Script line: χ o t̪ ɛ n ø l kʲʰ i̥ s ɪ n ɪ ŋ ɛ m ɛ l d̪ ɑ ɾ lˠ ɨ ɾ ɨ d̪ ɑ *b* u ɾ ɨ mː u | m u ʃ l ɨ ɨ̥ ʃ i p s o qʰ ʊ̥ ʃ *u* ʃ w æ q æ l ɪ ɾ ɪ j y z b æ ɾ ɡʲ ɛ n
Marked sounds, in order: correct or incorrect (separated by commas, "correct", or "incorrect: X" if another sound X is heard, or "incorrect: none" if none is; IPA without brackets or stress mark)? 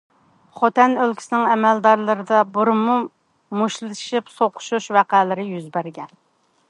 correct, correct